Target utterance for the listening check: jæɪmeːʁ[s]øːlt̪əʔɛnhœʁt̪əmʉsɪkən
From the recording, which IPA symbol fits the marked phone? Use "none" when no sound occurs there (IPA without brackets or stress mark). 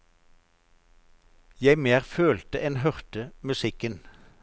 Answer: f